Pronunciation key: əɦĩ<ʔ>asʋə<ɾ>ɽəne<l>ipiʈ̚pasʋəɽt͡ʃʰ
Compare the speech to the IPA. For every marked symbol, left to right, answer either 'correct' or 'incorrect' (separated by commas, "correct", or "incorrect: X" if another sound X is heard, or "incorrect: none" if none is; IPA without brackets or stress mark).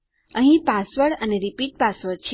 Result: incorrect: p, incorrect: none, incorrect: ɾ